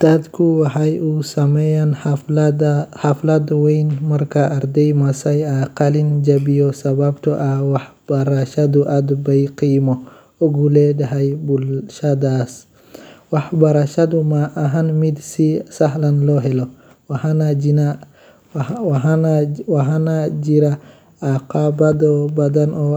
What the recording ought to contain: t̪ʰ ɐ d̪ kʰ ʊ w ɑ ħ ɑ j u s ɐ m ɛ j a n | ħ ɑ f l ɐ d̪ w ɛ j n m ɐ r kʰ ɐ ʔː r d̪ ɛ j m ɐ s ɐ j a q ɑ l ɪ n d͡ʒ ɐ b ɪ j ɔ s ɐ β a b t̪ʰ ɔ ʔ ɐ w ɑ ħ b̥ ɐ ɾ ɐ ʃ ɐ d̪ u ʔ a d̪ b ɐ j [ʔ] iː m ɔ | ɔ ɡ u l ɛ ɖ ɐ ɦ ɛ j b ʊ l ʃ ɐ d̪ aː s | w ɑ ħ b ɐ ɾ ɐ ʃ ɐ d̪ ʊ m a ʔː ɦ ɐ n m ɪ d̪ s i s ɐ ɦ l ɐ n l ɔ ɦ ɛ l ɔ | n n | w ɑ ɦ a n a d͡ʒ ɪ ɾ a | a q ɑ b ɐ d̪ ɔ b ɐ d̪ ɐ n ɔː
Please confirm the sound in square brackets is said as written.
no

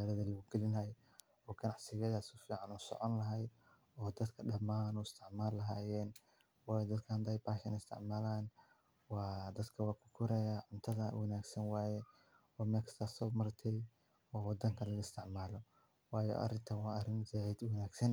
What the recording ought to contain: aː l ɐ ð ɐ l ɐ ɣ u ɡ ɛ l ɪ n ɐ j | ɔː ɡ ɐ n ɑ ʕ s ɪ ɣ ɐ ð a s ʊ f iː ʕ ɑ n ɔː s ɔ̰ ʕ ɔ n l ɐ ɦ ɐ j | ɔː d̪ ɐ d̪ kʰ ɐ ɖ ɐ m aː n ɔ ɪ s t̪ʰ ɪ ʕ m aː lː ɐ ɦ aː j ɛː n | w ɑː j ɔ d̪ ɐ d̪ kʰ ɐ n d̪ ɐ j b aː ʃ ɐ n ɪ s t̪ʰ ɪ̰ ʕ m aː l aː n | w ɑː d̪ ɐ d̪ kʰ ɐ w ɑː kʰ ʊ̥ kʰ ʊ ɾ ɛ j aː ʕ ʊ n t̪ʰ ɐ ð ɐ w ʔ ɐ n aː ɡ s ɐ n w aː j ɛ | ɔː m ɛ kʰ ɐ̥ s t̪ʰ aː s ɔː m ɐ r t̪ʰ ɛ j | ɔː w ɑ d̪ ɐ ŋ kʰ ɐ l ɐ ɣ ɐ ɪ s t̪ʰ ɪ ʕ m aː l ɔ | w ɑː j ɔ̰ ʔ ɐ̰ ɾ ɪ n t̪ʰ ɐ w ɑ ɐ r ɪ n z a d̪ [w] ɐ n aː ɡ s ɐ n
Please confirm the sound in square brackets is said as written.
yes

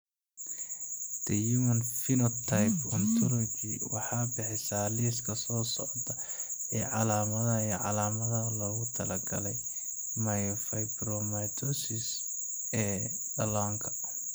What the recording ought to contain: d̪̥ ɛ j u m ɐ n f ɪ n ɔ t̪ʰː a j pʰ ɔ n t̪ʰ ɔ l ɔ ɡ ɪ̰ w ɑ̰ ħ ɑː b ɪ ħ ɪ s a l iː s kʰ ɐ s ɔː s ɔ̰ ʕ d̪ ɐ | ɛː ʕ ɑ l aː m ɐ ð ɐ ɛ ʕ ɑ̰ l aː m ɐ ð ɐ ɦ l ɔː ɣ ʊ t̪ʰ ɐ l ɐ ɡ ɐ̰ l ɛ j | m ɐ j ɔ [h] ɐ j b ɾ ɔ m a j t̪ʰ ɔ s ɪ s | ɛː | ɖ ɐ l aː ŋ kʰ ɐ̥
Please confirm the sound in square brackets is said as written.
no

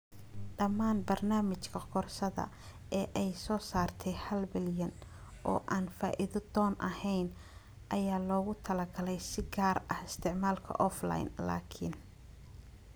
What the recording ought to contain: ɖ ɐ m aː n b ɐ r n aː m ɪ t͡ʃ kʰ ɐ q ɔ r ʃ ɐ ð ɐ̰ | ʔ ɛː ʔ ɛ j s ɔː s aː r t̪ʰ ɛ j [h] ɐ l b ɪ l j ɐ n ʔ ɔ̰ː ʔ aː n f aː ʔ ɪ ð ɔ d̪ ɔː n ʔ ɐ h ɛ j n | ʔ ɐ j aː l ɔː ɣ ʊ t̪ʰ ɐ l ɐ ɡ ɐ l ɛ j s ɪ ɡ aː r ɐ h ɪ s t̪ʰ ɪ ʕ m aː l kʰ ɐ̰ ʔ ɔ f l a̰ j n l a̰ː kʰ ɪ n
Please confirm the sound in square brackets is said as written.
yes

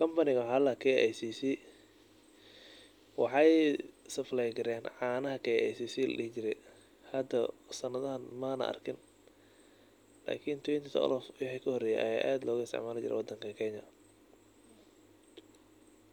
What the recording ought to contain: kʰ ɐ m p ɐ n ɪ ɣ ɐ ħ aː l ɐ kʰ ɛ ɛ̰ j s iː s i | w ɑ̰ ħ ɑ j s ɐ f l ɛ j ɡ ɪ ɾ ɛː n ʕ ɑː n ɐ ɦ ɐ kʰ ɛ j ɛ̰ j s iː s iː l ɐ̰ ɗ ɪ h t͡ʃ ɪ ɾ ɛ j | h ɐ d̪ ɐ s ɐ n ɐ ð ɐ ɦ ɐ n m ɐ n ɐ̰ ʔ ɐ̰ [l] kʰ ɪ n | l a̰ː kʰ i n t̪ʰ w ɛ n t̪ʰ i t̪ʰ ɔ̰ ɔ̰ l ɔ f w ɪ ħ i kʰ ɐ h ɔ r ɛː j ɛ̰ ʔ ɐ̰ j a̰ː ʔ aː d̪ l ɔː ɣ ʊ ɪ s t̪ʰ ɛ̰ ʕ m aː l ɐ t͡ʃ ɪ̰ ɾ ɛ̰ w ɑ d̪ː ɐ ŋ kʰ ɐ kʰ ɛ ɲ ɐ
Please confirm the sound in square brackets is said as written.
no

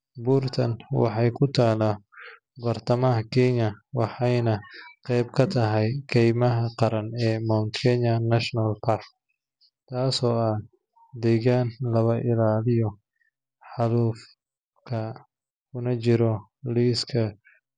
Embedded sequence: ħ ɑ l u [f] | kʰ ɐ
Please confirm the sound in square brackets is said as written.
yes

